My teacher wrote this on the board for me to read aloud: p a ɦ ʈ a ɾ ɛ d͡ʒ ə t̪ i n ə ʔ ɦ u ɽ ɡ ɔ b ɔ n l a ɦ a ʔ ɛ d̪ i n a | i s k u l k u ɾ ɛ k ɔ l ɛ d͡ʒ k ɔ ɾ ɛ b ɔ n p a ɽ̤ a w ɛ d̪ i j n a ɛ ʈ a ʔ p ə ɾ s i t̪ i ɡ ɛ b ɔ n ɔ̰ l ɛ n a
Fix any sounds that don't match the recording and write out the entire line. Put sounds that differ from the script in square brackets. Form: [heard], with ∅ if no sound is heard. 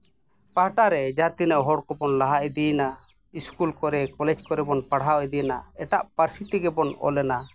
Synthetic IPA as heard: p a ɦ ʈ a ɾ ɛ d͡ʒ [a] t̪ i n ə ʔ ɦ [ɔ] ɽ [k] ɔ b ɔ n l a ɦ a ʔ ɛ d̪ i n a | i s k u l k [ɔ] ɾ ɛ k ɔ l ɛ d͡ʒ k ɔ ɾ ɛ b ɔ n p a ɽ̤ a w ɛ d̪ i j n a ɛ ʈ a ʔ p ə ɾ s i t̪ i ɡ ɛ b ɔ n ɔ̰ l ɛ n a